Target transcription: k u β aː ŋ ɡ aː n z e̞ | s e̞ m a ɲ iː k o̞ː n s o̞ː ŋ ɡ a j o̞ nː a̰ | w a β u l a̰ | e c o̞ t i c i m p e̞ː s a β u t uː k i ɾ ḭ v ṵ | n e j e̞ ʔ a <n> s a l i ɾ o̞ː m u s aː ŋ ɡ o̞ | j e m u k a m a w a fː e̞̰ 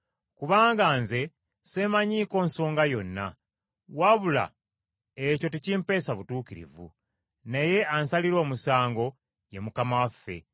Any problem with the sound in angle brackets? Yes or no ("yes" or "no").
no